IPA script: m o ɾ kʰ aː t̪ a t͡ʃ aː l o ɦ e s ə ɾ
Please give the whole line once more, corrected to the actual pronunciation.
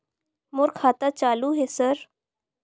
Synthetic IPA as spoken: m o ɾ kʰ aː t̪ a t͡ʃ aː l u ɦ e s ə ɾ